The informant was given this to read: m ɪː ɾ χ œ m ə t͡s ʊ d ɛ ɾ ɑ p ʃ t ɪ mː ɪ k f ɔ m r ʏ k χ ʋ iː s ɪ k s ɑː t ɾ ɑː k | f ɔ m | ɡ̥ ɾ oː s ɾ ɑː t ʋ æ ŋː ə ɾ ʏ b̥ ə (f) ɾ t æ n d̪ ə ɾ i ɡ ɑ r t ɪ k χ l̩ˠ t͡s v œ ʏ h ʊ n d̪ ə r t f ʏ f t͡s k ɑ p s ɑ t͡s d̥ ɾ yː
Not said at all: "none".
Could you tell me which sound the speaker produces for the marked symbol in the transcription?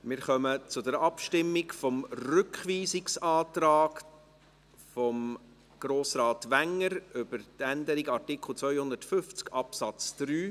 none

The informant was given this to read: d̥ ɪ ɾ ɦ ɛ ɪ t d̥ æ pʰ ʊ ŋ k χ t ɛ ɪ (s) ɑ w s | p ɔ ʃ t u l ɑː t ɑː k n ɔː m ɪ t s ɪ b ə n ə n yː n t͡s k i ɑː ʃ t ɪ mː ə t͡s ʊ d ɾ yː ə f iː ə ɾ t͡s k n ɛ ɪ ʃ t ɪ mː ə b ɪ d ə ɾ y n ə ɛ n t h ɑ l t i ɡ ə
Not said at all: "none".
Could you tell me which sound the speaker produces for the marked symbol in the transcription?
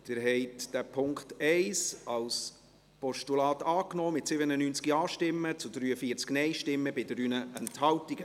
s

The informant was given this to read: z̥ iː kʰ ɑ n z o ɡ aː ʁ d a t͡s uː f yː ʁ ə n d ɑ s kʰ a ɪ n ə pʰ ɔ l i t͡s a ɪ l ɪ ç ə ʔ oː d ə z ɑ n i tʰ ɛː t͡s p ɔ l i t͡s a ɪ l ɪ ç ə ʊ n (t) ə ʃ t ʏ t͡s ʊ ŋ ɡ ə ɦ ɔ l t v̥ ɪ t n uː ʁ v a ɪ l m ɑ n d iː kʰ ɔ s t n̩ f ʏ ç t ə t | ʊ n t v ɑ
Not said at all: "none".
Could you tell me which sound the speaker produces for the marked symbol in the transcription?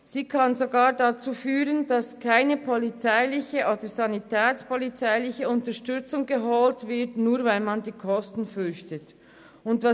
t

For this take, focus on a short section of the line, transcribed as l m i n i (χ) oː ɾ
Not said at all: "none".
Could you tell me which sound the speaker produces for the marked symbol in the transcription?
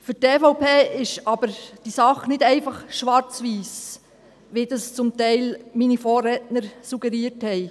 f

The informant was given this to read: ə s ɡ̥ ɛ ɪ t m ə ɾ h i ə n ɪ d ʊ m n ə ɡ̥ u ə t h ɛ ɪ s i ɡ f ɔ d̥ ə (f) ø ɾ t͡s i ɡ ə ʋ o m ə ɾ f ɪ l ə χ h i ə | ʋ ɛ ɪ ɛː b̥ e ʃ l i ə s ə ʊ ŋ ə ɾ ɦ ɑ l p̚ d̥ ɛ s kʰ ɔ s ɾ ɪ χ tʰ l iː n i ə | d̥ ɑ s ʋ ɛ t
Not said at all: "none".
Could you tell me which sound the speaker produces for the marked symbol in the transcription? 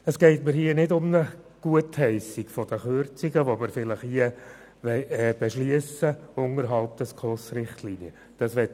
χ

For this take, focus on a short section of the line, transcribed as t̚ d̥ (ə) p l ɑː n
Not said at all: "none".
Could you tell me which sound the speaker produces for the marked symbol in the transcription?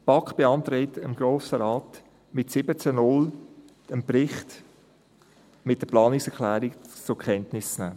ə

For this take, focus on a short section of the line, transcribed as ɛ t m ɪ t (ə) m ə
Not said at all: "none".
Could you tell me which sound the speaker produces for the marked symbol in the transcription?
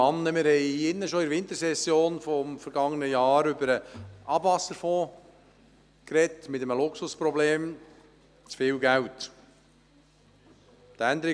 ə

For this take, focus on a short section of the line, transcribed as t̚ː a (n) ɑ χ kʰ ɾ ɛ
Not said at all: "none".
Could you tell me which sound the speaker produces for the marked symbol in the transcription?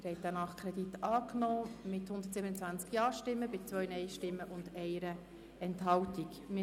n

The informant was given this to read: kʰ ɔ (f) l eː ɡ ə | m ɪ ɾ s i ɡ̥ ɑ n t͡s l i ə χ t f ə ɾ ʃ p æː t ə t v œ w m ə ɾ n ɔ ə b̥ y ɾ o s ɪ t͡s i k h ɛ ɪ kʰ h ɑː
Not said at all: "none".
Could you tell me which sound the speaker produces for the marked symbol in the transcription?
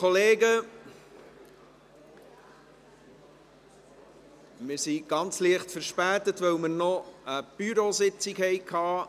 none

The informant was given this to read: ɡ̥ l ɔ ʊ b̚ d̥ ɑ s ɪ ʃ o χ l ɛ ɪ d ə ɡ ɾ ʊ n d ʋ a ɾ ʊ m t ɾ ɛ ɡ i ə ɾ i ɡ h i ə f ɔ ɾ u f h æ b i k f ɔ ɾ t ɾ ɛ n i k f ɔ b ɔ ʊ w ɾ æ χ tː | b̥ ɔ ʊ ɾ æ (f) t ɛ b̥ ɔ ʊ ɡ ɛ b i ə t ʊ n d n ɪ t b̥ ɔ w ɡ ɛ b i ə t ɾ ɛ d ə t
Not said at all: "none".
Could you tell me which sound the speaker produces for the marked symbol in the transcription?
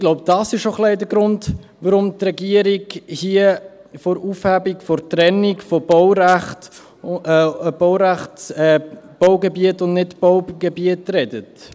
χ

